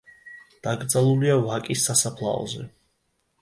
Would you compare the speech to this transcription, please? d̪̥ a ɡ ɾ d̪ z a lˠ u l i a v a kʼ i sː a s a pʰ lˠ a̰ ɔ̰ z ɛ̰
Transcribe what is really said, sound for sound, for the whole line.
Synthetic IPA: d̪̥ a ɡ ɾ d̪ z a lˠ u l i a v a kʼ i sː a s a pʰ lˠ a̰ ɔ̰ z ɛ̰

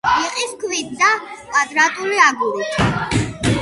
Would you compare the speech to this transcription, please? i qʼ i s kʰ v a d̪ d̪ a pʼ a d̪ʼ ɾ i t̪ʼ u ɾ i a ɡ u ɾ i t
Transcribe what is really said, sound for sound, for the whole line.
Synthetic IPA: i qʼ i s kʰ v i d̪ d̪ a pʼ a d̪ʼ ɾ a t̪ʼ u l i a ɡ u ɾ i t

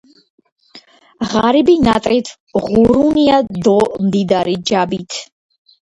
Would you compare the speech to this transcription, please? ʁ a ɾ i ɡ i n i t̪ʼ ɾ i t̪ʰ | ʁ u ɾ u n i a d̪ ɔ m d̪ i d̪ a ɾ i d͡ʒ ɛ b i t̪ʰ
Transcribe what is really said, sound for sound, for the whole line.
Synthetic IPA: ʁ a ɾ i b i n a t̪ʼ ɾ i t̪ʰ | ʁ u ɾ u n i a d̪ ɔ m d̪ i d̪ a ɾ i d͡ʒ a b i t̪ʰ

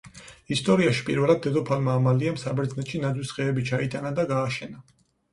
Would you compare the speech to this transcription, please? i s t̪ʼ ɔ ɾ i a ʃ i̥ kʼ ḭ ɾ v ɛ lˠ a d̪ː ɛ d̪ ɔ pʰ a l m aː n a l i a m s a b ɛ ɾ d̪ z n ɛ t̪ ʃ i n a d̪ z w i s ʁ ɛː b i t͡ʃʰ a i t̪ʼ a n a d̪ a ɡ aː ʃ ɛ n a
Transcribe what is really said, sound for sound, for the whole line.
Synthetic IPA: i s t̪ʼ ɔ ɾ i a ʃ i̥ pʼ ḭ ɾ v ɛ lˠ a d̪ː ɛ d̪ ɔ pʰ a l m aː m a l i a m s a b ɛ ɾ d̪ z n ɛ t̪ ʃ i n a d̪ z w i s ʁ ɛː b i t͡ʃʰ a i t̪ʼ a n a d̪ a ɡ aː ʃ ɛ n a

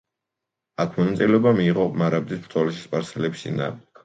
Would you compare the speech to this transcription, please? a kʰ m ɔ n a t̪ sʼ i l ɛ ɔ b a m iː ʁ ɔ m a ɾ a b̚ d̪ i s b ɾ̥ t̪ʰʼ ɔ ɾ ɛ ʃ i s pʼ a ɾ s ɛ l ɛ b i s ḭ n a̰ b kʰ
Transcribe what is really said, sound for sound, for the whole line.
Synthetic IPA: a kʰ m ɔ n a t̪ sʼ i l ɛ ɔ b a m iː ʁ ɔ m a ɾ a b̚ d̪ i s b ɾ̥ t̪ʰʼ ɔ l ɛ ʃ i s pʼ a ɾ s ɛ l ɛ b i s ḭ n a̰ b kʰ

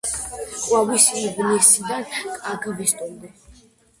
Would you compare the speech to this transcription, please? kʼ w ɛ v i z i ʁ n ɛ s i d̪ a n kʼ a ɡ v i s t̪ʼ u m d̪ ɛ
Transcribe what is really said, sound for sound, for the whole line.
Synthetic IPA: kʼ w a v i s i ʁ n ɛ s i d̪ a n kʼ a ɡ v i s t̪ʼ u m d̪ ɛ

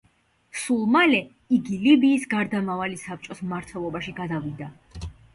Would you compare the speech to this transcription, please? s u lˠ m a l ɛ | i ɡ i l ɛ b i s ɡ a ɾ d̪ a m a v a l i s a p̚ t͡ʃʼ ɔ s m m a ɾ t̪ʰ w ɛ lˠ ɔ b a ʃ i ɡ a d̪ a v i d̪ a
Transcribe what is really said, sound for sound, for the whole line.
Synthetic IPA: s u lˠ m a l ɛ | i ɡ i l i b iː s ɡ a ɾ d̪ a m a v a l i s a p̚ t͡ʃʼ ɔ s m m a ɾ t̪ʰ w ɛ lˠ ɔ b a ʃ i ɡ a d̪ a v i d̪ a

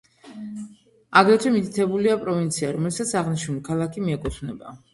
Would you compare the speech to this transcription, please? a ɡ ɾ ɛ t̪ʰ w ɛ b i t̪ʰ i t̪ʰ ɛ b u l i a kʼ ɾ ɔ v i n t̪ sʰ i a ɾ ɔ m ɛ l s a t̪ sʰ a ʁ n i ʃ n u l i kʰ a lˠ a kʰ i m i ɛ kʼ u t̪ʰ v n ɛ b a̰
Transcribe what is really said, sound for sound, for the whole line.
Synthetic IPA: a ɡ ɾ ɛ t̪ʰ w ɛ m i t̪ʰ i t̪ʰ ɛ b u l i a pʼ ɾ ɔ v i n t̪ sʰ i a ɾ ɔ m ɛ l s a t̪ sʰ a ʁ n i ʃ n u l i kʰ a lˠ a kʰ i m i ɛ kʼ u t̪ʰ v n ɛ b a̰

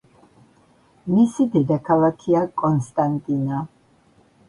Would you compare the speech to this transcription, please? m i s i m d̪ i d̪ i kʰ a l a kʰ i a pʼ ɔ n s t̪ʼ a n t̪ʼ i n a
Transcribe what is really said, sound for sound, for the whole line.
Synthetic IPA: m i s i d̪ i d̪ a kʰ a l a kʰ i a kʼ ɔ n s t̪ʼ a n t̪ʼ i n a

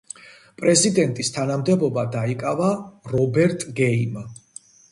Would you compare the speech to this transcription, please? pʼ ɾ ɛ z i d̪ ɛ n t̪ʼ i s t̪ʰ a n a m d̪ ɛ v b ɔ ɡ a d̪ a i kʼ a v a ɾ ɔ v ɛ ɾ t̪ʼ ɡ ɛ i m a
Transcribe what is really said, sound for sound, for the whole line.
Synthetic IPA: pʼ ɾ ɛ z i d̪ ɛ n t̪ʼ i s t̪ʰ a n a m d̪ ɛ b ɔ b a d̪ a i kʼ a v a ɾ ɔ b ɛ ɾ t̪ʼ ɡ ɛ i m a

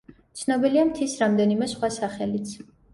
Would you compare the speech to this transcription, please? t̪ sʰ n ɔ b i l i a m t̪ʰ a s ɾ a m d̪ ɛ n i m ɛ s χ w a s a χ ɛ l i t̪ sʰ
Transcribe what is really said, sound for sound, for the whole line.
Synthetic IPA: t̪ sʰ n ɔ b i l i a m t̪ʰ i s ɾ a m d̪ ɛ n i m ɛ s χ w a s a χ ɛ l i t̪ sʰ

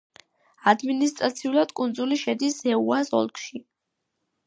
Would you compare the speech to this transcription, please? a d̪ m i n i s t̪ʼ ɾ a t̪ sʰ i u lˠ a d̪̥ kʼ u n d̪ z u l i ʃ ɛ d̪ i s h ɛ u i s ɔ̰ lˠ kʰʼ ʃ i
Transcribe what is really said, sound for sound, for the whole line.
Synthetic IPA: a d̪ m i n i s t̪ʼ ɾ a t̪ sʰ i u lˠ a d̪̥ kʼ u n d̪ z u l i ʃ ɛ d̪ i s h ɛ u a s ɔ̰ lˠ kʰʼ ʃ i

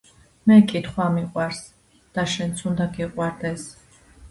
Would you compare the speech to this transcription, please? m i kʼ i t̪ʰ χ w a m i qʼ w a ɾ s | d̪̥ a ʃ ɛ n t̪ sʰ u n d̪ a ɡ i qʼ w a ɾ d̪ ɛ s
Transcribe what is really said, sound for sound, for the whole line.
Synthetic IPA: m ɛ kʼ i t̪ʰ χ w a m i qʼ w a ɾ s | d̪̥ a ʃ ɛ n t̪ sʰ u n d̪ a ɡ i qʼ w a ɾ d̪ ɛ s

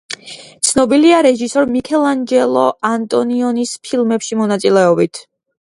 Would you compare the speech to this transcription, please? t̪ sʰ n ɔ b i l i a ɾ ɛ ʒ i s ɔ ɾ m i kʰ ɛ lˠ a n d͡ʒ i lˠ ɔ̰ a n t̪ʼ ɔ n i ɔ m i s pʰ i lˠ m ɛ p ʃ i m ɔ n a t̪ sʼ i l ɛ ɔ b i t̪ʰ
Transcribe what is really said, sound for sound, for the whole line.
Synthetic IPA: t̪ sʰ n ɔ b i l i a ɾ ɛ ʒ i s ɔ ɾ m i kʰ ɛ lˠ a n d͡ʒ ɛ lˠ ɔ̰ a n t̪ʼ ɔ n i ɔ n i s pʰ i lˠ m ɛ p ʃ i m ɔ n a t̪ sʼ i l ɛ ɔ b i t̪ʰ

